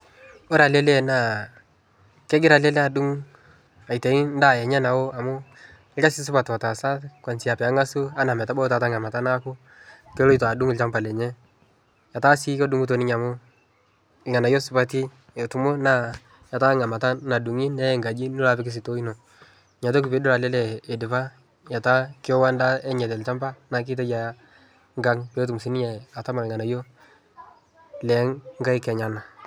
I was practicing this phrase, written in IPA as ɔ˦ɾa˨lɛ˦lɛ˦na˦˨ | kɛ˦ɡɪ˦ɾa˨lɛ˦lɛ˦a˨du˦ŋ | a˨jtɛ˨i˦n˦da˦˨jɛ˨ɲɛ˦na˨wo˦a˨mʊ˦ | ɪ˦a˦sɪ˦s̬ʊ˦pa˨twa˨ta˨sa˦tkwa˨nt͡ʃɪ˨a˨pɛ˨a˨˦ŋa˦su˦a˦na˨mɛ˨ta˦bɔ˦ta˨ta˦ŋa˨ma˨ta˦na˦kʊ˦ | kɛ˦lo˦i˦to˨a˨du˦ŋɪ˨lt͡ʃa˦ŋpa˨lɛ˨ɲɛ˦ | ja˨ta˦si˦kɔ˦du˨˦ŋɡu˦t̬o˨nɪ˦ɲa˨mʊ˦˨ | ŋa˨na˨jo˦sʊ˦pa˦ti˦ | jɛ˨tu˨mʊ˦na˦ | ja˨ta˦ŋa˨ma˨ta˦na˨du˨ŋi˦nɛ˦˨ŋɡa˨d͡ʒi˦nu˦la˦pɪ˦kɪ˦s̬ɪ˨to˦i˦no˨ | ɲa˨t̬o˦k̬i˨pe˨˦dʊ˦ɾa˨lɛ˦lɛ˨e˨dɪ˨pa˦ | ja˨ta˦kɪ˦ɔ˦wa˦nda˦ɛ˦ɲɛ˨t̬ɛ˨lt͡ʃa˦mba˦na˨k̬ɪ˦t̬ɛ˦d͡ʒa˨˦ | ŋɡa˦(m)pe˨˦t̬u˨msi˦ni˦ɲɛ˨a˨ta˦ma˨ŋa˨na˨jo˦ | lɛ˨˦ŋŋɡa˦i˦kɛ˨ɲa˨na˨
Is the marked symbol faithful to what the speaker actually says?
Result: no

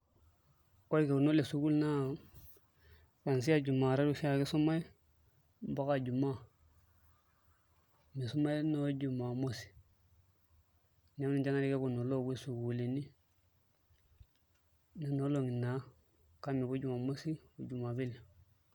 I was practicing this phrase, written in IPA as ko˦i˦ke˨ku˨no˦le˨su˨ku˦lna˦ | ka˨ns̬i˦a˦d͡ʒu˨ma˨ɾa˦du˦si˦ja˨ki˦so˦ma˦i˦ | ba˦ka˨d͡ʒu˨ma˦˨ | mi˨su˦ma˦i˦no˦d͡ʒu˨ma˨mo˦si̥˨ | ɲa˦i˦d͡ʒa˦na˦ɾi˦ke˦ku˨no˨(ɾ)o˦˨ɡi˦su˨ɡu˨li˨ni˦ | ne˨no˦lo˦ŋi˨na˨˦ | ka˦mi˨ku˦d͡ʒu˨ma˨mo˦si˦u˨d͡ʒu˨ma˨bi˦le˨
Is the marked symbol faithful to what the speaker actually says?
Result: no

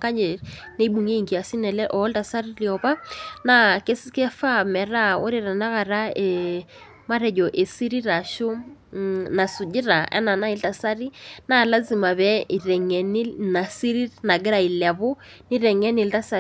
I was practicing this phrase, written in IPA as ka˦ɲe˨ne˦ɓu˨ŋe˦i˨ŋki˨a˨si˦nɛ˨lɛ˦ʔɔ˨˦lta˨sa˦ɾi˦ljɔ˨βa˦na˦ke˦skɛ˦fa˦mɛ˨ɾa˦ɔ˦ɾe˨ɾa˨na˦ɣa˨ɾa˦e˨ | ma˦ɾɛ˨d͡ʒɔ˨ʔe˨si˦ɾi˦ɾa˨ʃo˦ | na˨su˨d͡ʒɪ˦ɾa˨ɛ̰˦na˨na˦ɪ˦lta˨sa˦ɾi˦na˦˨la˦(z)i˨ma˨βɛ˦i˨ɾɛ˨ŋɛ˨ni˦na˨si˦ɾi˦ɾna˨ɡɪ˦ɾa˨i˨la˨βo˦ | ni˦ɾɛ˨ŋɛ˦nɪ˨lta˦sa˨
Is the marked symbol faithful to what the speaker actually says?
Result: yes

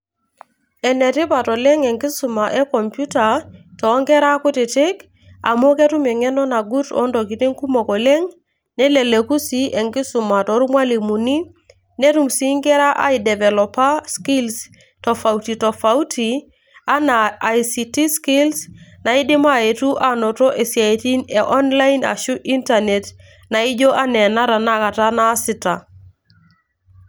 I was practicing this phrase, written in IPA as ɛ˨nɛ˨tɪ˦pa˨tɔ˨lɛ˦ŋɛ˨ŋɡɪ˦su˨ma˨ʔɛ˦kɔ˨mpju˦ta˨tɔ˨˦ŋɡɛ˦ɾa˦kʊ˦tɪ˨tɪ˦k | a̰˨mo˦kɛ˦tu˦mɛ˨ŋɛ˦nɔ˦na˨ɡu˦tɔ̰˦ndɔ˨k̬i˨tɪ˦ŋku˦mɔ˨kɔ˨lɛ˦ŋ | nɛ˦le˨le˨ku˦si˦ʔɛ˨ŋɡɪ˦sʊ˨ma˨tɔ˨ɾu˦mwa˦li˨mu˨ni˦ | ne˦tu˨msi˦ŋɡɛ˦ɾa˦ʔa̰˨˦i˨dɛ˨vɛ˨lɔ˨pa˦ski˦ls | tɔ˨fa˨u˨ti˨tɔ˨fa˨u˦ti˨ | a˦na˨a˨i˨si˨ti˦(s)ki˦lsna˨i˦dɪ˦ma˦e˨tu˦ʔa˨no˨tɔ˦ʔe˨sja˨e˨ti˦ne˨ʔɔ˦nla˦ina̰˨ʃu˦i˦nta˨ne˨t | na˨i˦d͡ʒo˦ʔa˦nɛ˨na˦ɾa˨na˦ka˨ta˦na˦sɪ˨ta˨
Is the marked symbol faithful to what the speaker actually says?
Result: yes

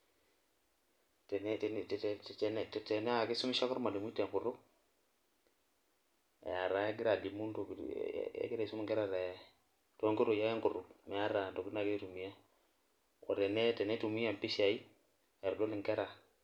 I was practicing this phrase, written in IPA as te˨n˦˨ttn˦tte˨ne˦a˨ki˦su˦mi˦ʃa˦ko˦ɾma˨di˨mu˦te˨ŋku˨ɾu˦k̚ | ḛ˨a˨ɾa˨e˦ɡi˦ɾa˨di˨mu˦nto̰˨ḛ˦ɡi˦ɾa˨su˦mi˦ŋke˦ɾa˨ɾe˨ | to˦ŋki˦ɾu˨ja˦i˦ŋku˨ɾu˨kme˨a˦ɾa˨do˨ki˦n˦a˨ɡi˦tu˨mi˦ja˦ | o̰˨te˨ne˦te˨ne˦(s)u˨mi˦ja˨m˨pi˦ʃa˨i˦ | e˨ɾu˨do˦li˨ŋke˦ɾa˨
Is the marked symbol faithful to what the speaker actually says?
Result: no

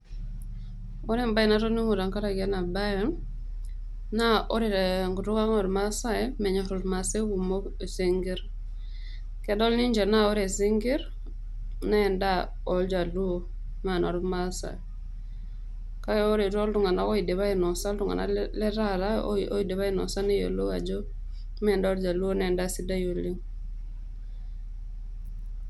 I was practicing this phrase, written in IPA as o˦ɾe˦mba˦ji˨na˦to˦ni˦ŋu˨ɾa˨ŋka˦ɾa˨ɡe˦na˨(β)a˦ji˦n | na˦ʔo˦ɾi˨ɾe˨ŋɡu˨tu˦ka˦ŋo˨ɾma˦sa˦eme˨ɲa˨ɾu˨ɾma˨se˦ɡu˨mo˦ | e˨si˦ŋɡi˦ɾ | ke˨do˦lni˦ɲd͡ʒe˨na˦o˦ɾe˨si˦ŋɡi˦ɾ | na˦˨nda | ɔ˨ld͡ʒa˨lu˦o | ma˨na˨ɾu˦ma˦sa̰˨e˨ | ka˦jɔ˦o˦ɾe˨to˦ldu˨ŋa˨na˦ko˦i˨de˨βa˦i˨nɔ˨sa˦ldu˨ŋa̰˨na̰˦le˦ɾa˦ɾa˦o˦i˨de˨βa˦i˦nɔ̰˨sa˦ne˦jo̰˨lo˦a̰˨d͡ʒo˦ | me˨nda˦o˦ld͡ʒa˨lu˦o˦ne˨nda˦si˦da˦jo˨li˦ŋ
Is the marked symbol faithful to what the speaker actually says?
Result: no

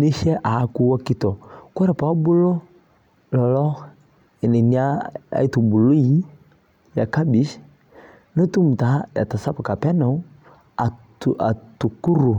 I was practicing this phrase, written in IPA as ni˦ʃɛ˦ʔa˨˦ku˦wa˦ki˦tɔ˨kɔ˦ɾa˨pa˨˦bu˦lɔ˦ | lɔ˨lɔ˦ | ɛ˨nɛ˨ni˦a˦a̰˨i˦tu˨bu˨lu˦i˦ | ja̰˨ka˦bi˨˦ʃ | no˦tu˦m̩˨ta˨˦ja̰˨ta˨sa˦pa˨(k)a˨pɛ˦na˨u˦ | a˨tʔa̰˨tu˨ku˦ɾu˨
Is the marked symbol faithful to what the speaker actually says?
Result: yes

